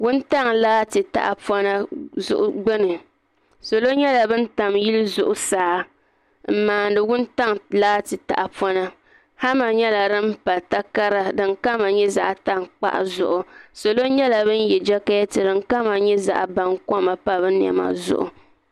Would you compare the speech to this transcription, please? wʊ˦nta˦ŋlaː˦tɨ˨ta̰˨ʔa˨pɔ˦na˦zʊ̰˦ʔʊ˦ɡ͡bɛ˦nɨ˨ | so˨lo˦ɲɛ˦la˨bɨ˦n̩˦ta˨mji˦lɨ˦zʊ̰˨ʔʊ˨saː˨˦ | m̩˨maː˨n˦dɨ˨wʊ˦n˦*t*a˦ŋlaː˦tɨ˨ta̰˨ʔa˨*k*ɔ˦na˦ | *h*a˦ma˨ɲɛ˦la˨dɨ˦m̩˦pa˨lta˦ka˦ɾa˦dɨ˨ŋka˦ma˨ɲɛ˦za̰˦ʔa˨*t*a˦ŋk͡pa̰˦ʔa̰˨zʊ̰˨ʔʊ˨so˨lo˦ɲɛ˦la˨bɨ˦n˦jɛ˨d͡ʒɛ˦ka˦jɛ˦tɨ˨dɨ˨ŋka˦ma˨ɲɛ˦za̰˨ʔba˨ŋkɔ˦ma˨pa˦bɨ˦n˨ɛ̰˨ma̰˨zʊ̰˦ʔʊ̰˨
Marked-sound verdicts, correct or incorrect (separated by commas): correct, incorrect, correct, correct